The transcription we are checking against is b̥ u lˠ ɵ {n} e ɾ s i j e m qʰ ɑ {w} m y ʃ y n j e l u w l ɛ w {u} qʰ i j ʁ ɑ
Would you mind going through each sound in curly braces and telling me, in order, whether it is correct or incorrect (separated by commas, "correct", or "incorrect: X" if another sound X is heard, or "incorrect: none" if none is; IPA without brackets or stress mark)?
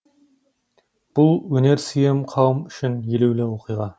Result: correct, correct, incorrect: o